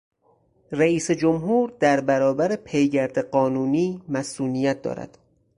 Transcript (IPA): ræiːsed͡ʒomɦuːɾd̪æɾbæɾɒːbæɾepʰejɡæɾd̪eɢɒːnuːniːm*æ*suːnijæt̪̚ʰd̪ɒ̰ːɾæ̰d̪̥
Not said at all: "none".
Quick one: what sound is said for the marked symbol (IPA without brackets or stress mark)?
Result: æ